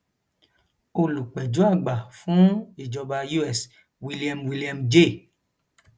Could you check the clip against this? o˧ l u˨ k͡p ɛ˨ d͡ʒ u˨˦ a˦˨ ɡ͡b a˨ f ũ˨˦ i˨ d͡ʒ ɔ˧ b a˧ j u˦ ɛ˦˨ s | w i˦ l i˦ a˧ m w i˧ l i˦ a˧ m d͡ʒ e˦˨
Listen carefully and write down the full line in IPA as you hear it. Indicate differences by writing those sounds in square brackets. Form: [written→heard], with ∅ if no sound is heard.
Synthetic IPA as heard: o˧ l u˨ k͡p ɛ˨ d͡ʒ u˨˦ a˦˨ ɡ͡b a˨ f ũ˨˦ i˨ d͡ʒ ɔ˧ b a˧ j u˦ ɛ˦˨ s | w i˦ l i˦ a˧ m w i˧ l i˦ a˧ m d͡ʒ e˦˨